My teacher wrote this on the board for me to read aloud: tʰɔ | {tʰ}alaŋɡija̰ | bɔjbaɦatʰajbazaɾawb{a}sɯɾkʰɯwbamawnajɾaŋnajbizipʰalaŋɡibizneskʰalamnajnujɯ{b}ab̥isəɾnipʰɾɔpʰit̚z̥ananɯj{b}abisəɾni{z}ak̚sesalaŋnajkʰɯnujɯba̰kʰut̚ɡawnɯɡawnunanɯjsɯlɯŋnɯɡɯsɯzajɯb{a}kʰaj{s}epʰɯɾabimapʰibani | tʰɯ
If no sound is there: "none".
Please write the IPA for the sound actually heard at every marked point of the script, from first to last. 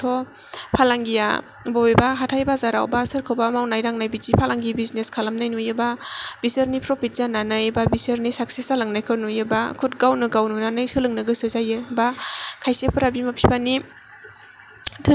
pʰ, a, b, b, s, a, s

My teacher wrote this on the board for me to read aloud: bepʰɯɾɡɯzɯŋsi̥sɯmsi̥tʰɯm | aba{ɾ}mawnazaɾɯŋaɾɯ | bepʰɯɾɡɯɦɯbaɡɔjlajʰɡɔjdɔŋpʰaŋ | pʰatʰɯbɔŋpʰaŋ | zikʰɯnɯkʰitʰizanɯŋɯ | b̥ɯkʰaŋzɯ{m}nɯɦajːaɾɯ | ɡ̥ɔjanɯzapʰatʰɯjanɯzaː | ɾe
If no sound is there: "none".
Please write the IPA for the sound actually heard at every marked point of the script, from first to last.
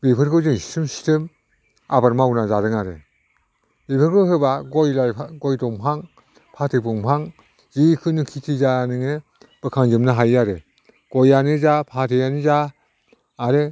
ɾ, m

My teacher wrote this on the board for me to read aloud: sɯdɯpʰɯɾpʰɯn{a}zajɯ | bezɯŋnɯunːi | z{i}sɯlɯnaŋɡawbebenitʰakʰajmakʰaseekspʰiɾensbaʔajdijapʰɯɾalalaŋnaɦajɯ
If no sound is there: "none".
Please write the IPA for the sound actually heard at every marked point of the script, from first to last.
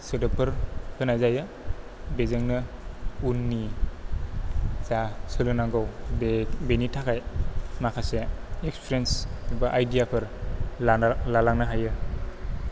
a, a

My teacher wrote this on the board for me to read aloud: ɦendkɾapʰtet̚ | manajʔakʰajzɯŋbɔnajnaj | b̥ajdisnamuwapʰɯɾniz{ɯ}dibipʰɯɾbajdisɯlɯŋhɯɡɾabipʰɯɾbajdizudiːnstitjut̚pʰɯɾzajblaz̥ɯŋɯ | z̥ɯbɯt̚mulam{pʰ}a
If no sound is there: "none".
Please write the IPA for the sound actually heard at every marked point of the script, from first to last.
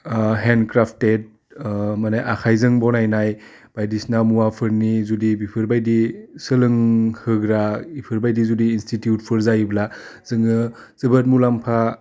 u, pʰ

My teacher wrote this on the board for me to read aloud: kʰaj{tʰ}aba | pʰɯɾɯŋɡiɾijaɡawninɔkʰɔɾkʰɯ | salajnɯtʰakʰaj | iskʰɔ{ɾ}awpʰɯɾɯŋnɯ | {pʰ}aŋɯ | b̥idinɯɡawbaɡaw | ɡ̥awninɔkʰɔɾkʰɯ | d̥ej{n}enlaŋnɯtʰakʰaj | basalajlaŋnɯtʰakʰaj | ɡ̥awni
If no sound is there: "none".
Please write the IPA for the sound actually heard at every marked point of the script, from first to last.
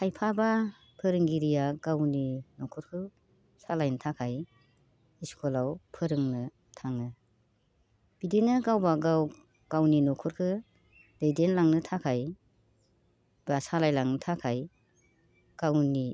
pʰ, l, tʰ, d

